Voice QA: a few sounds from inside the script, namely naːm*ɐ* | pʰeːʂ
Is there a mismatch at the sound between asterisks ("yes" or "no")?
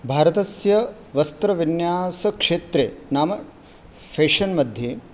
no